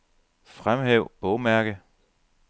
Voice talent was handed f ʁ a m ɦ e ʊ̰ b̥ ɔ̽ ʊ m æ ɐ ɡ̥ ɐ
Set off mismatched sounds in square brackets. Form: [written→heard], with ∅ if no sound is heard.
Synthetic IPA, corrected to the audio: f ʁ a m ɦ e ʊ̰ b̥ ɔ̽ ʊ m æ ɐ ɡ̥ [ɐ→ə]